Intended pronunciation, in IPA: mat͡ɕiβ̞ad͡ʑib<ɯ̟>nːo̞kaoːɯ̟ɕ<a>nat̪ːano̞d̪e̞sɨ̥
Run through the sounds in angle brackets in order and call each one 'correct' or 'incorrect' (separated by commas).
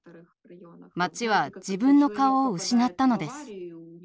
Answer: incorrect, incorrect